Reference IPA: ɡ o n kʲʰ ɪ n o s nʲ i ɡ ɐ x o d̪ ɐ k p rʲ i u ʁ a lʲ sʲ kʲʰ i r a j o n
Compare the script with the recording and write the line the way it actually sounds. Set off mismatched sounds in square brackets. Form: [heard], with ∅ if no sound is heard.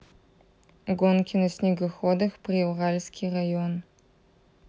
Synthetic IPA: ɡ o n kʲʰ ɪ n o s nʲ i ɡ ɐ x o d̪ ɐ [x] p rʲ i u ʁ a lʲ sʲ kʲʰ i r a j o n